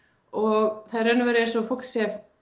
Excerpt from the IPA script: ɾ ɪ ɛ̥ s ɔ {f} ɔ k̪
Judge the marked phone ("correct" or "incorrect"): correct